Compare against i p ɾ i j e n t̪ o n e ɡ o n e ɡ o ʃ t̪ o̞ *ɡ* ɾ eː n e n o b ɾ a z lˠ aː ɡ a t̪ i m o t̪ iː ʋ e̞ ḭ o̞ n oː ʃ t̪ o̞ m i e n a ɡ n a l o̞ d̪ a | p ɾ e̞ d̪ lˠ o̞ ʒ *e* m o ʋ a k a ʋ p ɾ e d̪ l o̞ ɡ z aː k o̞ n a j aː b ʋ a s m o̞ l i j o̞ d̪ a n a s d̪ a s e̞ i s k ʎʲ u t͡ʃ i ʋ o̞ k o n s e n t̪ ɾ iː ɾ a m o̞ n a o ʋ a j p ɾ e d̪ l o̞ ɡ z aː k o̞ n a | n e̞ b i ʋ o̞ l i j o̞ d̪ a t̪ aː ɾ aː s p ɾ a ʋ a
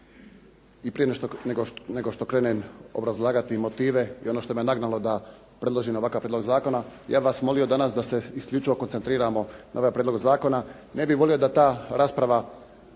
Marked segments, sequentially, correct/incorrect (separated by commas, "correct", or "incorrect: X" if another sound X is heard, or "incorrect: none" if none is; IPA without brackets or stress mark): incorrect: k, incorrect: i